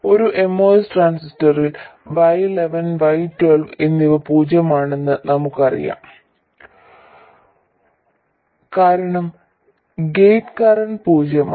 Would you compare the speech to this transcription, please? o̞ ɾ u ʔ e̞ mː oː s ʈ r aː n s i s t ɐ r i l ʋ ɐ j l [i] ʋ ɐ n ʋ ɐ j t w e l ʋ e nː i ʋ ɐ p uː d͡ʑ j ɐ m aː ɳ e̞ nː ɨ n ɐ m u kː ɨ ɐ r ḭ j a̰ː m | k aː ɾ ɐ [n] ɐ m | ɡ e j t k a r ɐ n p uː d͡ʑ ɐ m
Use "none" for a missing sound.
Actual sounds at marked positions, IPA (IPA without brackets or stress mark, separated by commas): e, ɳ